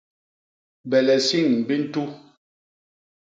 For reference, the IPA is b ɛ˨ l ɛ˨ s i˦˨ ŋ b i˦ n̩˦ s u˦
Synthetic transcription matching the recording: b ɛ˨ l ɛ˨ s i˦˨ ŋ b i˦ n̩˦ t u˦